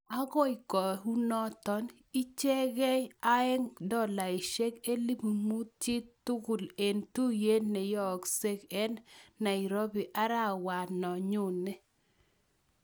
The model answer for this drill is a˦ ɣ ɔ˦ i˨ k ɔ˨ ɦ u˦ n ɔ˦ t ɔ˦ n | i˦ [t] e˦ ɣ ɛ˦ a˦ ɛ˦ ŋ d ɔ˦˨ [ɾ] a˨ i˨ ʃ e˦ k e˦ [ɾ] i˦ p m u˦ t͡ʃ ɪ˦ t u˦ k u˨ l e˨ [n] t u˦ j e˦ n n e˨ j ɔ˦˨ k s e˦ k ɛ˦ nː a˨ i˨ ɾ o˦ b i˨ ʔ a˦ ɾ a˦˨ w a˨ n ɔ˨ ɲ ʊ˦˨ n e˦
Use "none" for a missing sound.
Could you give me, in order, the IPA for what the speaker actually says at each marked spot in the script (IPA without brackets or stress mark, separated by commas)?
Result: t͡ʃ, l, l, n